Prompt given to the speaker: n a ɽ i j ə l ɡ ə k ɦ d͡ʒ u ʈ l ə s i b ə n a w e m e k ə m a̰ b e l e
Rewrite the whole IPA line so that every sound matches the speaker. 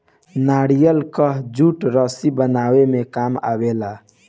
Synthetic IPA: n a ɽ i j ə l k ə ɦ d͡ʒ u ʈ ɾ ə s i b ə n a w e m e k a m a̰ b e l a